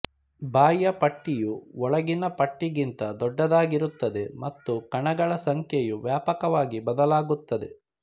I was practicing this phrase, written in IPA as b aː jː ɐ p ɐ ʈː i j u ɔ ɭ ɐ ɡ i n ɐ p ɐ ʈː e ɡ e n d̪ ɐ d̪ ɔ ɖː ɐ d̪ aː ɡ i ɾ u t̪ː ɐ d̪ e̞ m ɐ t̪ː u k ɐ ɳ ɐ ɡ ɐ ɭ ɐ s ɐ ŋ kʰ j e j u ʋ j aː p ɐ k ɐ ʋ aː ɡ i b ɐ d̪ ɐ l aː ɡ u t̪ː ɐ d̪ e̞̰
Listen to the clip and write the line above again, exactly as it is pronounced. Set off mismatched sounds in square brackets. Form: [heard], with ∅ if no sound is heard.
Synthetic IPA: b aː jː ɐ p ɐ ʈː i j u ɔ ɭ ɐ ɡ i n ɐ p ɐ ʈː [i] ɡ [i] n [t̪] ɐ d̪ ɔ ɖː ɐ d̪ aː ɡ i ɾ u t̪ː ɐ d̪ e̞ m ɐ t̪ː u k ɐ ɳ ɐ ɡ ɐ ɭ ɐ s ɐ ŋ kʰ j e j u ʋ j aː p ɐ k ɐ ʋ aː ɡ i b ɐ d̪ ɐ l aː ɡ u t̪ː ɐ d̪ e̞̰